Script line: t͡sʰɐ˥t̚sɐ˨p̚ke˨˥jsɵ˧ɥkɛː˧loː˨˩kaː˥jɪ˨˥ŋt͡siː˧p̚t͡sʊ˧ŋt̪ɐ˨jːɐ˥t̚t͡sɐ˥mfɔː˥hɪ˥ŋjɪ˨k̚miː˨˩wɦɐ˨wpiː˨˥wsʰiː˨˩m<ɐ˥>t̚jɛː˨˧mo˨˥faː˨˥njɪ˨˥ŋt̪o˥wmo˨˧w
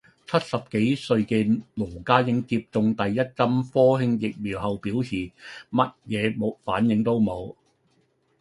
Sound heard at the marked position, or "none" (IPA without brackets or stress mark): ɐ˥